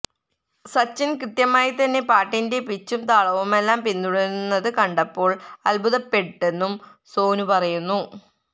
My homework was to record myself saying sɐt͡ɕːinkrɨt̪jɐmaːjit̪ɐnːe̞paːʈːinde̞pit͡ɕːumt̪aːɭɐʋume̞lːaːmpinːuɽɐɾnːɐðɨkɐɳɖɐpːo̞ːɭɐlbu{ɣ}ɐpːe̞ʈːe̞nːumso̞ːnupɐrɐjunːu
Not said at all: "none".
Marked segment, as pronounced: ð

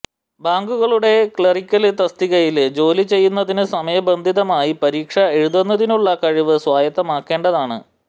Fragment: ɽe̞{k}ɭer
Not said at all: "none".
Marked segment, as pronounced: k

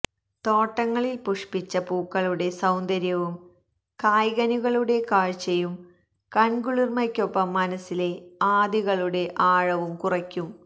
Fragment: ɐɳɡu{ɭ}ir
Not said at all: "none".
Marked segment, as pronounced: ɭ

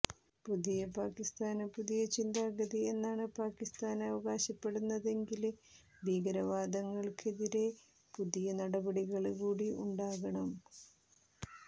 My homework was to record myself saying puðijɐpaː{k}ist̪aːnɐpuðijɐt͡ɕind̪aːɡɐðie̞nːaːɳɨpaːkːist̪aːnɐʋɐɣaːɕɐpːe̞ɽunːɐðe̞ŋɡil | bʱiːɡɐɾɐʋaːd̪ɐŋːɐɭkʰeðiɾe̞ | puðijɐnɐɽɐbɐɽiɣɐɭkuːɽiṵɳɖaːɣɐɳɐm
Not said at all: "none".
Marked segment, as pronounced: k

